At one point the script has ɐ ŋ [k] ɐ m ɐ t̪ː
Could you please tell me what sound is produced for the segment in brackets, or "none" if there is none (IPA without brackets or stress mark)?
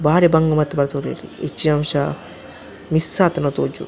ɡ